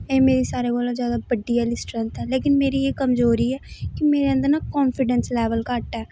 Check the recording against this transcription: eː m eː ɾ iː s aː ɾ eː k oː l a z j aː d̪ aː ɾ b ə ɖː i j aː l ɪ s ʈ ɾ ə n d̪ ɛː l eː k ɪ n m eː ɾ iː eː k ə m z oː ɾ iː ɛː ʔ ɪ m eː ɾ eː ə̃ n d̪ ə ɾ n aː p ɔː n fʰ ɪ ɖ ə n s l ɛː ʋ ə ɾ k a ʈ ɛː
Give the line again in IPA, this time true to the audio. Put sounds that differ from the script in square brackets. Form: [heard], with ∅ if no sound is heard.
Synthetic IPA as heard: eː m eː ɾ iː s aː ɾ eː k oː l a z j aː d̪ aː [∅] b ə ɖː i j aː l ɪ s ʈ ɾ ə n [t̪] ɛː l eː k ɪ n m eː ɾ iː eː k ə m z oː ɾ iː ɛː [k] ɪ m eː ɾ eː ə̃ n d̪ ə ɾ n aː [k] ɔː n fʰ ɪ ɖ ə n s l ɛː ʋ ə [l] k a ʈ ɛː